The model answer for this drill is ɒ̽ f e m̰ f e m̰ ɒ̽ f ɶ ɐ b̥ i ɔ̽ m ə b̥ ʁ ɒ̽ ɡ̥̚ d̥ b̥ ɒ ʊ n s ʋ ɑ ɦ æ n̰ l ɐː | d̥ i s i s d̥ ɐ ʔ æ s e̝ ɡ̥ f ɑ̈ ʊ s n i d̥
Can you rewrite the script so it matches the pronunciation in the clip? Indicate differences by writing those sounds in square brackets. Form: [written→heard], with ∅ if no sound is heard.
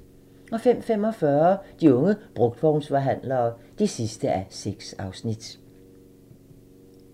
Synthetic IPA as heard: ɒ̽ f e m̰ f e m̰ ɒ̽ f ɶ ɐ [b̥→d̥] i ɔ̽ [m→ŋ] ə b̥ ʁ [ɒ̽→ɔ̽] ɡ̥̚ d̥ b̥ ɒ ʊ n s ʋ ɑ ɦ æ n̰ l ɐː | d̥ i s i s d̥ [ɐ→ə] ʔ æ s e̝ ɡ̥ [f→s] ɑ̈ ʊ s n i d̥

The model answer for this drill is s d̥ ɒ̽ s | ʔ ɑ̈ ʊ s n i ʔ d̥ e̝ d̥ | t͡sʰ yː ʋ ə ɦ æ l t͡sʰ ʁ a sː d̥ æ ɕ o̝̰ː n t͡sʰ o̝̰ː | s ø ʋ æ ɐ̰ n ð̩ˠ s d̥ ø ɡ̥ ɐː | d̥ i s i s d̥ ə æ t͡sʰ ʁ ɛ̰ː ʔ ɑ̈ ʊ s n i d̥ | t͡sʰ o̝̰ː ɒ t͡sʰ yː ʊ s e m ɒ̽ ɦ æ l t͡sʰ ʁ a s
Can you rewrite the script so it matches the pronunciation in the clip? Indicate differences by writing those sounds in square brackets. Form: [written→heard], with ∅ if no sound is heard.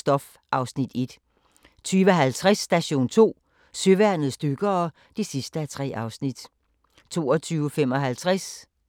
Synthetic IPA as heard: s d̥ ɒ̽ [s→f] | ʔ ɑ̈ ʊ s n i [ʔ→∅] d̥ e̝ d̥ | t͡sʰ yː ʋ ə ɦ æ l t͡sʰ ʁ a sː d̥ æ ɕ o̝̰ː n t͡sʰ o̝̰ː | s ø ʋ æ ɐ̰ n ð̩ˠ s d̥ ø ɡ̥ ɐː | d̥ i s i s d̥ ə æ t͡sʰ ʁ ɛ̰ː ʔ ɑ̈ ʊ s n i d̥ | t͡sʰ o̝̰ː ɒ t͡sʰ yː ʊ [s→f] e m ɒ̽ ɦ æ l t͡sʰ ʁ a s

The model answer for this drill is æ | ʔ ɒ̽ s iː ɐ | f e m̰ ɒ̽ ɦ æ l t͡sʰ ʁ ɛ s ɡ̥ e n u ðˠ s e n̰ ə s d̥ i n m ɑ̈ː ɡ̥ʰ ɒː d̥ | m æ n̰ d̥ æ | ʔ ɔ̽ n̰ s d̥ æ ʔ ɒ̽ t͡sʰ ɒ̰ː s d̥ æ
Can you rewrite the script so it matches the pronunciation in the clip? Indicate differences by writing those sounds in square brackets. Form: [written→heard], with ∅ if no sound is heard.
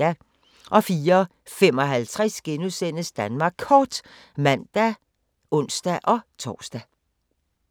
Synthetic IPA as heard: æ | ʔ ɒ̽ [s→f] iː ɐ | f e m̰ ɒ̽ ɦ æ l t͡sʰ ʁ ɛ s ɡ̥ e n u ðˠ s e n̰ ə s d̥ [i→æ] n m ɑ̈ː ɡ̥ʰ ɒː d̥ | m æ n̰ d̥ æ | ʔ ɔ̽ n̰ s d̥ æ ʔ ɒ̽ t͡sʰ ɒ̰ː s d̥ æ

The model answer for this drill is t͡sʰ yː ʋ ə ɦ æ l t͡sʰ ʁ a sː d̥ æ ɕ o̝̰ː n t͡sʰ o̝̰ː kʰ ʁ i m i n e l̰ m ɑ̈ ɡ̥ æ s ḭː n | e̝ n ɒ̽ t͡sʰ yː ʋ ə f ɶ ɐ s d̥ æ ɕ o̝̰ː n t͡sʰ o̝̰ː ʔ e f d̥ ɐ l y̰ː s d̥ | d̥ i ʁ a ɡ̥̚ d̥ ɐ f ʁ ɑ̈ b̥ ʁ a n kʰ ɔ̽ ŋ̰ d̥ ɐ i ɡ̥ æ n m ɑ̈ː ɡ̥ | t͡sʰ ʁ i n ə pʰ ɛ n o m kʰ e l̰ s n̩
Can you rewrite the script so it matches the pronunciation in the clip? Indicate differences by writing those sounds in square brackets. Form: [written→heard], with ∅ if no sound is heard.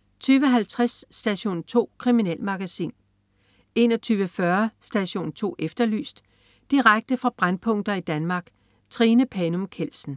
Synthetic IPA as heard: t͡sʰ yː ʋ ə ɦ æ l t͡sʰ ʁ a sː d̥ æ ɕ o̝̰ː n t͡sʰ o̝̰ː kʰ ʁ i m i n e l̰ m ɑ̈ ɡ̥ æ s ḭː n | e̝ n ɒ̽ t͡sʰ yː ʋ ə f ɶ ɐ s d̥ æ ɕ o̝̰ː n t͡sʰ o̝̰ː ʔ e f d̥ ɐ l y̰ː s d̥ | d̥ i ʁ a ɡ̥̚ d̥ [ɐ→ə] f ʁ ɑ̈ b̥ ʁ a n [kʰ→pʰ] ɔ̽ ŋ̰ d̥ ɐ i [ɡ̥→d̥] æ n m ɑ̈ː ɡ̥ | t͡sʰ ʁ i n ə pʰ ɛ n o m kʰ e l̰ s n̩

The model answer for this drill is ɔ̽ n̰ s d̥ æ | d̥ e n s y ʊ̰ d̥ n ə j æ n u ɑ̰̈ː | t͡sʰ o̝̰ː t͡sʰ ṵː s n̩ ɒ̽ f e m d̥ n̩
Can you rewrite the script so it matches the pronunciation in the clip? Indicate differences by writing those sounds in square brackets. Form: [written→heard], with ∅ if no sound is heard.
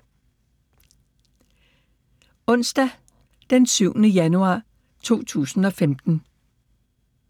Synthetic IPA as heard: ɔ̽ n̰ s d̥ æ | d̥ e n s y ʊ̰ [d̥→∅] n ə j æ n u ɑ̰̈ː | t͡sʰ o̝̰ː t͡sʰ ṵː s n̩ ɒ̽ f e m d̥ n̩

